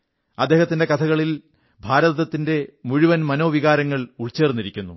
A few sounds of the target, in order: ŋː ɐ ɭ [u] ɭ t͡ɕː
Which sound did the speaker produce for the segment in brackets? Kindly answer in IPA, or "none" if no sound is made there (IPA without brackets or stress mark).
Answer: u